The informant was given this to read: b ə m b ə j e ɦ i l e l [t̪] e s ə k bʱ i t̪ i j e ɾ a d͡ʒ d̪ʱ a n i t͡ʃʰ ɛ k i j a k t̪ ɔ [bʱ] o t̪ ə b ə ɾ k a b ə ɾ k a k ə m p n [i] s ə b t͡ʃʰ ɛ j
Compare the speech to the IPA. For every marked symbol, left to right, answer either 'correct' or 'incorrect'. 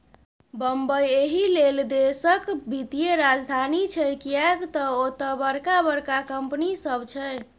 incorrect: d̪, incorrect: none, correct

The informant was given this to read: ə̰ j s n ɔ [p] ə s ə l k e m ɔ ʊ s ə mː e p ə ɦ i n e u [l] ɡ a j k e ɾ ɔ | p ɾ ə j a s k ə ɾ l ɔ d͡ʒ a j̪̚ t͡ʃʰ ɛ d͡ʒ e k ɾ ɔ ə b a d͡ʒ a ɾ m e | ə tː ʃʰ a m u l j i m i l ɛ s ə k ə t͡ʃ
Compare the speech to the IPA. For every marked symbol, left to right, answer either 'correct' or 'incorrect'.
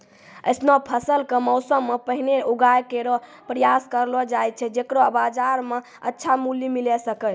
incorrect: pʰ, incorrect: none

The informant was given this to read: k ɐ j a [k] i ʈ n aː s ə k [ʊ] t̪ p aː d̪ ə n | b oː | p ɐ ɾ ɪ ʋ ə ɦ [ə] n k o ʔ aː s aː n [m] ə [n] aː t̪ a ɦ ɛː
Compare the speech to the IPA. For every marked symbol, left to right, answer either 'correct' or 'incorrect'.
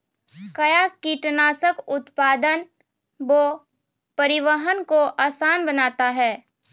correct, correct, correct, incorrect: b, correct

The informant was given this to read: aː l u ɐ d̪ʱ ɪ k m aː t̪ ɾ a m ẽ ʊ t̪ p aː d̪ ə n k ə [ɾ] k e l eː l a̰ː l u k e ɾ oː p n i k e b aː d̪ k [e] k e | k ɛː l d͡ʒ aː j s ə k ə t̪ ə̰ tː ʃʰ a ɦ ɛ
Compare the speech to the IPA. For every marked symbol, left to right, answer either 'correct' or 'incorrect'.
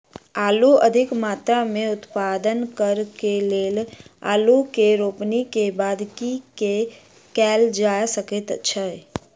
correct, incorrect: i

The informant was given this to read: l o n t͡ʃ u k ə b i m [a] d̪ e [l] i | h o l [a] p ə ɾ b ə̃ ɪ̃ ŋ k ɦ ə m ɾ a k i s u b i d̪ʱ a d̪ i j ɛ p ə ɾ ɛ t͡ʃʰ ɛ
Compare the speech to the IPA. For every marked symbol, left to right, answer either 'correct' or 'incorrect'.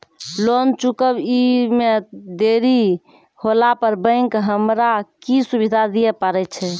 incorrect: e, incorrect: ɾ, correct

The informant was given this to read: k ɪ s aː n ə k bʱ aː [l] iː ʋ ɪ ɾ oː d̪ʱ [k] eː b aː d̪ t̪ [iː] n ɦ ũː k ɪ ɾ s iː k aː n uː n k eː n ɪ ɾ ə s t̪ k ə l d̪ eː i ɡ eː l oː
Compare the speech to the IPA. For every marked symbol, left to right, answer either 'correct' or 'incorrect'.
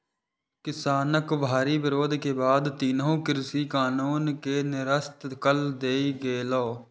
incorrect: ɾ, correct, correct

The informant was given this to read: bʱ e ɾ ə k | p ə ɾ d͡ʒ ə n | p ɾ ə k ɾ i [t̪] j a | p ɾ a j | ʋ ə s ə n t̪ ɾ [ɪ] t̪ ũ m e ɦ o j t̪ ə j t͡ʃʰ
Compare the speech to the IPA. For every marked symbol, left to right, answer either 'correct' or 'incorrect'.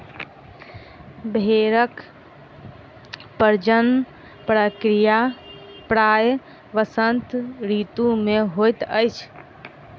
incorrect: none, incorrect: i

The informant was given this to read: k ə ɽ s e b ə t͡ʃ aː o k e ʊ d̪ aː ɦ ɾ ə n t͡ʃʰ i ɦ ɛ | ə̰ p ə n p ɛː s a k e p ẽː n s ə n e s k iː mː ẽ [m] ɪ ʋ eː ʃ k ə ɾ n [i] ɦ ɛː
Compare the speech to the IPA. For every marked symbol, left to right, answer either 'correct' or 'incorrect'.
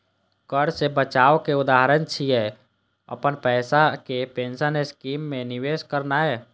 incorrect: n, incorrect: a

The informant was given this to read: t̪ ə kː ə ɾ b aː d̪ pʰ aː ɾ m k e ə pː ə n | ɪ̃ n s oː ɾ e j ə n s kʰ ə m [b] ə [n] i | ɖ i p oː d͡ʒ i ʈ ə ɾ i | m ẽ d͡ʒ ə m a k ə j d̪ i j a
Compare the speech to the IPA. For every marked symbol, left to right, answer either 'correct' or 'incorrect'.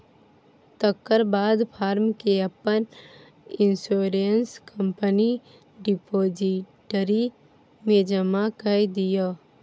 incorrect: p, correct

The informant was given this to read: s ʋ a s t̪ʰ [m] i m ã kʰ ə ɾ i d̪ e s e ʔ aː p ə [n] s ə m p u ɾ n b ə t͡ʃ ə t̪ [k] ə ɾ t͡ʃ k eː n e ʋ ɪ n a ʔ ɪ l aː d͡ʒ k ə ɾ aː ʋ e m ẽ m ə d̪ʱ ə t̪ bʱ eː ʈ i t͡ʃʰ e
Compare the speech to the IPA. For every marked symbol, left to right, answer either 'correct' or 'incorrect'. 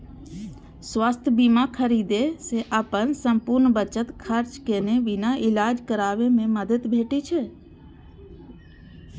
incorrect: b, correct, incorrect: kʰ

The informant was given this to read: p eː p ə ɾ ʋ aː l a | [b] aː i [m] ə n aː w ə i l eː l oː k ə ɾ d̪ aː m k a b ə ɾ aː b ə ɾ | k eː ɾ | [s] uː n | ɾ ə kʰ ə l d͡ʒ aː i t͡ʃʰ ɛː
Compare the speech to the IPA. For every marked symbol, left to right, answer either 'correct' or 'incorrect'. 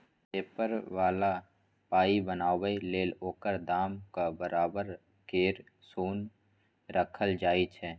incorrect: p, incorrect: b, correct

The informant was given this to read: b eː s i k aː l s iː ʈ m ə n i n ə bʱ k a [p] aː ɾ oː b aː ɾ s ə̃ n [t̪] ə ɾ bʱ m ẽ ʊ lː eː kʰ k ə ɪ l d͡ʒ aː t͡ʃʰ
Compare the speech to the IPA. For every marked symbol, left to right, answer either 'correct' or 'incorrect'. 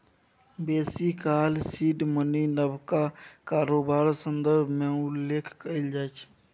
incorrect: k, incorrect: d̪

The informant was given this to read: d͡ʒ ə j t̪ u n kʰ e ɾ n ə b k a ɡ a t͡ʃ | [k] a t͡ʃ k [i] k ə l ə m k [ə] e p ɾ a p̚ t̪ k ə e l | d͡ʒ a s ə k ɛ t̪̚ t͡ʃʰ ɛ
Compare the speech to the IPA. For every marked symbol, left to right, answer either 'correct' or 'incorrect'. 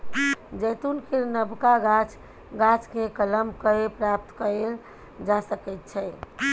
incorrect: ɡ, incorrect: e, correct

